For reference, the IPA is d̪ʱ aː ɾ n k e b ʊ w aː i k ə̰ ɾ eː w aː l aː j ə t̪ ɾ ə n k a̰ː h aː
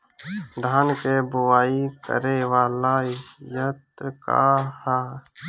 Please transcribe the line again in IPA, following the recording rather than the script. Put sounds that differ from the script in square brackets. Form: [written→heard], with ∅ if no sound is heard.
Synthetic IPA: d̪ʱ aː [ɾ→∅] n k e b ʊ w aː i k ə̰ ɾ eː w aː l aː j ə t̪ ɾ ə [n→∅] k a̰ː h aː

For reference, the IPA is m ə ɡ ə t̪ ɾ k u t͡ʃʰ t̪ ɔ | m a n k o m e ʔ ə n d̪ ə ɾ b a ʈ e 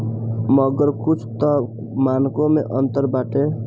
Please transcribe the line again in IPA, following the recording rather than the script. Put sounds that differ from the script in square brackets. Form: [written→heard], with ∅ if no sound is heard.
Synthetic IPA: m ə ɡ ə [t̪→∅] ɾ k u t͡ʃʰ t̪ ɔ | m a n k o m e ʔ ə n [d̪→t̪] ə ɾ b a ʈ e

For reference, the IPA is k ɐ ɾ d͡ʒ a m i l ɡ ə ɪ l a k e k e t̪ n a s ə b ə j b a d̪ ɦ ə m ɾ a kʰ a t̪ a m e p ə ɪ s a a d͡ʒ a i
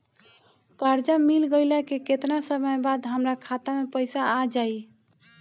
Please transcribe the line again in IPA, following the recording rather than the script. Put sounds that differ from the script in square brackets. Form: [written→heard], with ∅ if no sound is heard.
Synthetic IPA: k [ɐ→a] ɾ d͡ʒ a m i l ɡ ə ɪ l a k e k e t̪ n a s ə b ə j b a d̪ ɦ ə m ɾ a kʰ a t̪ a m e p ə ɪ s a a d͡ʒ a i

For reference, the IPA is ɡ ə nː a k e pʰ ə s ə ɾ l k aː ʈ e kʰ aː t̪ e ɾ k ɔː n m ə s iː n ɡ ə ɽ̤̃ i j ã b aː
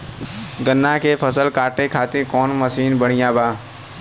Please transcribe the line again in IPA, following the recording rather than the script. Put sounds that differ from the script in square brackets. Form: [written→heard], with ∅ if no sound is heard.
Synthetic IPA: ɡ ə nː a k e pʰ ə s ə [ɾ→∅] l k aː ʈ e kʰ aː t̪ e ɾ k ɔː n m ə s iː n [ɡ→b] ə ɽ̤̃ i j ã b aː

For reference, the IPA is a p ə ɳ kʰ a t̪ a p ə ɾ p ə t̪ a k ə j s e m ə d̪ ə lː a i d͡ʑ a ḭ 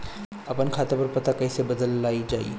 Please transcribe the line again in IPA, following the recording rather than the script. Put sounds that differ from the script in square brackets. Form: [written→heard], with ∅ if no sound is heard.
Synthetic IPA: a p ə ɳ kʰ a t̪ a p ə ɾ p ə t̪ a k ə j s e [m→b] ə d̪ ə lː a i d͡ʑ a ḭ

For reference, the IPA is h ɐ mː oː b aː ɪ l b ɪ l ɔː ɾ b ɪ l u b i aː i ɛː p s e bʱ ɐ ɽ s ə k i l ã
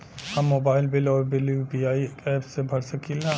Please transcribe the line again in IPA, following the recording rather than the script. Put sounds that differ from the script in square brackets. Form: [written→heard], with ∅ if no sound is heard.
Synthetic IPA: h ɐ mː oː b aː ɪ l b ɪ l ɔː ɾ b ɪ l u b i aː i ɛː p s e bʱ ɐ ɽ s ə k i l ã

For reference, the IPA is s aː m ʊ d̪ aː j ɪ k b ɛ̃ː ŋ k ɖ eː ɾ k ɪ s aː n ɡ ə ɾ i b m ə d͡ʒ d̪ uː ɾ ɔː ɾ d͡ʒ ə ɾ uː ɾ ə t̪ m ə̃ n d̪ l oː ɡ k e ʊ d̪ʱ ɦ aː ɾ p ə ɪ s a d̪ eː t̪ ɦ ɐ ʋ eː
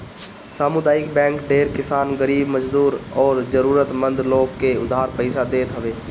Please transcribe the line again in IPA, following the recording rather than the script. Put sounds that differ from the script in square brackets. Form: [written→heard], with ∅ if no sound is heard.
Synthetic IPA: s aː m ʊ d̪ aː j ɪ k b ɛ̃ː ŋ k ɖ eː ɾ k ɪ s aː n ɡ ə ɾ [i→iː] b m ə d͡ʒ d̪ uː ɾ ɔː ɾ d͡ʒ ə ɾ uː ɾ ə t̪ m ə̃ n d̪ l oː ɡ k e ʊ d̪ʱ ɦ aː ɾ p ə ɪ s a d̪ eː t̪ ɦ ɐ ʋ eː

